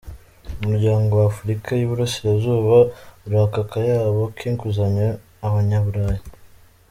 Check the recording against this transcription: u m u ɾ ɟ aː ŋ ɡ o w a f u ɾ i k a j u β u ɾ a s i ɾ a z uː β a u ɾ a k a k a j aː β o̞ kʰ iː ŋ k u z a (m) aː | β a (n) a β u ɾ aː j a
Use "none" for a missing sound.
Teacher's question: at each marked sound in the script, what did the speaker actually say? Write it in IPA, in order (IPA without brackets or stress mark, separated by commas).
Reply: ɲ, ɲ